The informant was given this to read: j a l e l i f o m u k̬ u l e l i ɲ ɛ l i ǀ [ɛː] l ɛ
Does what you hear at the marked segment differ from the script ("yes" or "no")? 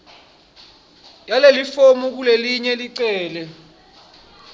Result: no